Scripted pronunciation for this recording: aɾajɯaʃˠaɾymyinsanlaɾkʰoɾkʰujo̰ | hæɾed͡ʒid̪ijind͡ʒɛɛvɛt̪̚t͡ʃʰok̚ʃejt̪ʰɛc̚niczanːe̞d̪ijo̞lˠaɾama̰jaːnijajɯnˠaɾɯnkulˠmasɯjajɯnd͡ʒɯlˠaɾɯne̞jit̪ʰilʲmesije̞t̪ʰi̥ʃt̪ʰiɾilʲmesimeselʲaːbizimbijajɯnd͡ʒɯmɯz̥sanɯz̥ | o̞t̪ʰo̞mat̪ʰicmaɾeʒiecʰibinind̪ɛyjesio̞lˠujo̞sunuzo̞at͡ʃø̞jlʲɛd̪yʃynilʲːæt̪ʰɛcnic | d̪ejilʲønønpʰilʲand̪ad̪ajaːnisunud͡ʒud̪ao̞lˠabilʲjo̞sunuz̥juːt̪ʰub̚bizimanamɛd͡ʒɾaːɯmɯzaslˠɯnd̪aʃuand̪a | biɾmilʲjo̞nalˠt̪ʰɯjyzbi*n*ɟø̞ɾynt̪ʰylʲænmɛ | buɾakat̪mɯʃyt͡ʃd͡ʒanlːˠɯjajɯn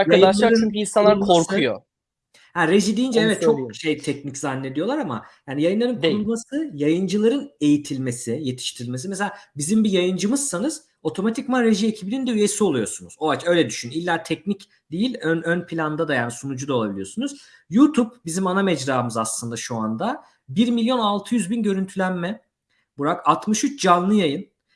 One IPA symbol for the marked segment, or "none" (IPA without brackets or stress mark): n